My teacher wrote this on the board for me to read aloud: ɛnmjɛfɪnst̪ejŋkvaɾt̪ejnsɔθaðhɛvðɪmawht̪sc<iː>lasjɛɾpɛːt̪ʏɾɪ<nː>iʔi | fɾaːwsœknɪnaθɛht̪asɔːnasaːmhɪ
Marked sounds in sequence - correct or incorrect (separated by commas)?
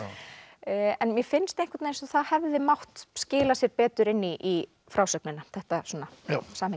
incorrect, correct